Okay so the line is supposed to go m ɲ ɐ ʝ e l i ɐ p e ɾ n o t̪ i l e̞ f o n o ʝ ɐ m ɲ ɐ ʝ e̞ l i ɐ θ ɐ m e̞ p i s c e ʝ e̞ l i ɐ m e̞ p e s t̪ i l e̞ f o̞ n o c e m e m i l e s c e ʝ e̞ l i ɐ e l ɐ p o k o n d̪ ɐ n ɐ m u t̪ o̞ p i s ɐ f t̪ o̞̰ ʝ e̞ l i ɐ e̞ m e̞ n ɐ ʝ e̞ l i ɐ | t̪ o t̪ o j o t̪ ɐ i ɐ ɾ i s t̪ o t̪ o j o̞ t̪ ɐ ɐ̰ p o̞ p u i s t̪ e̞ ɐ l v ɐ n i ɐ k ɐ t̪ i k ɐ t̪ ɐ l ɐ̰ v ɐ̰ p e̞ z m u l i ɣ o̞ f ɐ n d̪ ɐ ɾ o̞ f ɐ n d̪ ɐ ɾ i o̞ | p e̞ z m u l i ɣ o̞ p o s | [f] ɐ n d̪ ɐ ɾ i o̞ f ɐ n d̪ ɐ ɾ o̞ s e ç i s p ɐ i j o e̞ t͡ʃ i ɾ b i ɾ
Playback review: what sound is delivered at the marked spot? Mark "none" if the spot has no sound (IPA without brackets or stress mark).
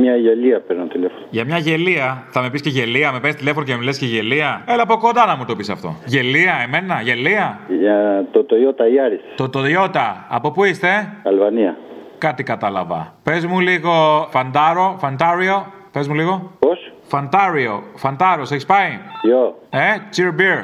f